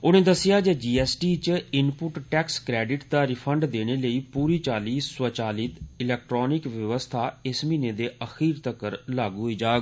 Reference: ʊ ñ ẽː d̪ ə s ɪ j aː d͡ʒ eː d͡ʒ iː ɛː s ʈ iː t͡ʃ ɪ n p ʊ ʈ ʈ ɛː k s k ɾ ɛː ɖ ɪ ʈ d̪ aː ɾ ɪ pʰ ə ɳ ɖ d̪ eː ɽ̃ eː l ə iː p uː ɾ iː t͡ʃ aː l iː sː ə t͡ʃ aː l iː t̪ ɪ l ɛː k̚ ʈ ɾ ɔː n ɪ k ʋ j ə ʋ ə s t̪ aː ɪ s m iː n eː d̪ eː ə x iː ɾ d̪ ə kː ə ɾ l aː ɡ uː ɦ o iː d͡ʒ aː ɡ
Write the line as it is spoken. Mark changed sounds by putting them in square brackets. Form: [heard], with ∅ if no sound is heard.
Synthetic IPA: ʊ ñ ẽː d̪ ə s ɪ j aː d͡ʒ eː d͡ʒ iː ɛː s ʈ iː t͡ʃ ɪ n p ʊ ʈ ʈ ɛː k s k ɾ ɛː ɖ ɪ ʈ d̪ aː ɾ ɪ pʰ ə ɳ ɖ d̪ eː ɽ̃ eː l ə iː p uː ɾ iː t͡ʃ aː l iː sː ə t͡ʃ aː l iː t̪ ɪ l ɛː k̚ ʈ ɾ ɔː n ɪ k ʋ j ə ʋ ə s [t̪ʰ] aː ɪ s m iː n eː d̪ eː ə x iː ɾ [t̪] ə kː ə ɾ l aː ɡ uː ɦ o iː d͡ʒ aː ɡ

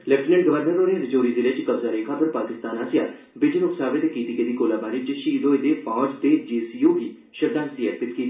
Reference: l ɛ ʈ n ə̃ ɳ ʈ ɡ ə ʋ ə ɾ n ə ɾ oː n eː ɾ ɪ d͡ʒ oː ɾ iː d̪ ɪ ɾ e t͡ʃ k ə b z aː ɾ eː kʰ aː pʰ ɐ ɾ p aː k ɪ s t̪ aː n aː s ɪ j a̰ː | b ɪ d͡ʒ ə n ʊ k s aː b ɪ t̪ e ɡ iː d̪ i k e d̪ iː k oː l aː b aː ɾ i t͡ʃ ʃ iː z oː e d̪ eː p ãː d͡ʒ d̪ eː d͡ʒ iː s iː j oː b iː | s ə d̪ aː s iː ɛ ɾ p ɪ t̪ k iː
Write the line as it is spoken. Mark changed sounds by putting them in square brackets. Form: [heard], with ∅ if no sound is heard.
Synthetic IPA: l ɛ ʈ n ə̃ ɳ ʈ ɡ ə ʋ ə ɾ n ə ɾ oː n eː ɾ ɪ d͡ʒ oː ɾ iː d̪ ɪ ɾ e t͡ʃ k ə b z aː ɾ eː kʰ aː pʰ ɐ ɾ p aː k ɪ s t̪ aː n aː s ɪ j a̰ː | b ɪ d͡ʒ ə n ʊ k s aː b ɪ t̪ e [k] iː [t̪] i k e d̪ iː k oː l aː b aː ɾ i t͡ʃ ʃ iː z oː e d̪ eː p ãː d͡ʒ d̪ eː d͡ʒ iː s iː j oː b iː | [ʃ] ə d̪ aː s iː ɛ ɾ p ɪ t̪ k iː

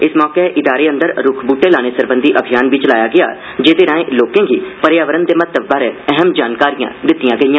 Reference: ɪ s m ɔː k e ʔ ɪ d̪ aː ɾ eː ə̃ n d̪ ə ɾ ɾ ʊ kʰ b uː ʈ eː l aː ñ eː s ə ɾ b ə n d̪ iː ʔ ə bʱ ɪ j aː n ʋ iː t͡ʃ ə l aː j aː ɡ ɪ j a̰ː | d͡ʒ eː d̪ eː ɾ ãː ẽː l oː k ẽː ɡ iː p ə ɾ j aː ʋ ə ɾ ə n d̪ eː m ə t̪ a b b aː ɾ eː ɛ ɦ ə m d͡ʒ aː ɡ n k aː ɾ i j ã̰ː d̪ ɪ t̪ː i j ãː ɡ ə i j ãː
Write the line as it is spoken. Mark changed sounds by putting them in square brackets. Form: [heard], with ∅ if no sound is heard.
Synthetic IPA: ɪ s m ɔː k e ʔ ɪ d̪ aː ɾ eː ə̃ n d̪ ə ɾ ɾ ʊ kʰ b uː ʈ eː l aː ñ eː s ə ɾ b ə n d̪ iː ʔ ə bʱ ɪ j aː n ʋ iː t͡ʃ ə l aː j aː ɡ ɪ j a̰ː | d͡ʒ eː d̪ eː ɾ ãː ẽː l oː k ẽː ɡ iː p ə ɾ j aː ʋ ə ɾ ə n d̪ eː m ə t̪ [ə] b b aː ɾ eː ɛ ɦ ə m d͡ʒ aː [∅] n k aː ɾ i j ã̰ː d̪ ɪ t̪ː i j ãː ɡ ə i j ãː

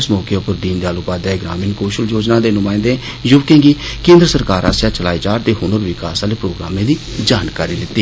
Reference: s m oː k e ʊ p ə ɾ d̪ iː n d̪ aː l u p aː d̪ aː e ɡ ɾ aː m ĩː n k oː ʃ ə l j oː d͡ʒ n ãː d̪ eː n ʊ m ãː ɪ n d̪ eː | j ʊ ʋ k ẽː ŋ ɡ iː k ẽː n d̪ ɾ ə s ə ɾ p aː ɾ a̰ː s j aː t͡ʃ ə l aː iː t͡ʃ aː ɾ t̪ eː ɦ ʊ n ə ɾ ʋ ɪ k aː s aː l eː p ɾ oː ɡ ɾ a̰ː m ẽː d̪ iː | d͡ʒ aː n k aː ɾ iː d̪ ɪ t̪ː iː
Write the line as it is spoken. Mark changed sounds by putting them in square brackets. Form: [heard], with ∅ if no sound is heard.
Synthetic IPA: s m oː k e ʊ p ə ɾ d̪ iː n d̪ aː l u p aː d̪ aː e ɡ ɾ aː m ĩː n k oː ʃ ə l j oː d͡ʒ n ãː d̪ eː n ʊ m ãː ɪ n d̪ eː | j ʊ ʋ k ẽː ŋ ɡ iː k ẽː n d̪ ɾ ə s ə ɾ [k] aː ɾ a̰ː s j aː t͡ʃ ə l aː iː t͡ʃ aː ɾ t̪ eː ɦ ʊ n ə ɾ ʋ ɪ k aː s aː l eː p ɾ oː ɡ ɾ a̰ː m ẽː d̪ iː | d͡ʒ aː n k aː ɾ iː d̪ ɪ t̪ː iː

